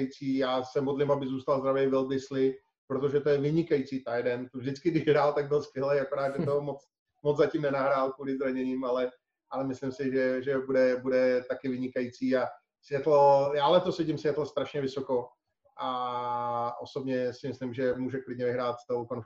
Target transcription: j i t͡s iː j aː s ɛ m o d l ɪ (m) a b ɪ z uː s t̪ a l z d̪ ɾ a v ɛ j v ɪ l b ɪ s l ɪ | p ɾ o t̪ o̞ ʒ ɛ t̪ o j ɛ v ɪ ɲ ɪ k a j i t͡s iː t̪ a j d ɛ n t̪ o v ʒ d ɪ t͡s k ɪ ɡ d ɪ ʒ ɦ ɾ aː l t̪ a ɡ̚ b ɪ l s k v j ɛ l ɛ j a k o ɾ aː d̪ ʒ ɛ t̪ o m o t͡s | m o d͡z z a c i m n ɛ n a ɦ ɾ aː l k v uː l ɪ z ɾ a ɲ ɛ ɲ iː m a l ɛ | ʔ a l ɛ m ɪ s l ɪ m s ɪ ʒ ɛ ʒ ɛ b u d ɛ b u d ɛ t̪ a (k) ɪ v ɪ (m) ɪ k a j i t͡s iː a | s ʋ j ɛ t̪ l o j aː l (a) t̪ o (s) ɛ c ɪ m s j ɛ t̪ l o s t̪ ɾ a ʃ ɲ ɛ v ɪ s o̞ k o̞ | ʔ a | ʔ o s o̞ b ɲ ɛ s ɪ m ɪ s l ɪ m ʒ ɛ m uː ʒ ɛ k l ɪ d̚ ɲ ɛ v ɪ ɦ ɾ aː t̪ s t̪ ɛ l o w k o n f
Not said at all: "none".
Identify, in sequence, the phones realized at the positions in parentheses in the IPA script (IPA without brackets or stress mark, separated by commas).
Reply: m, k, ɲ, ɛ, s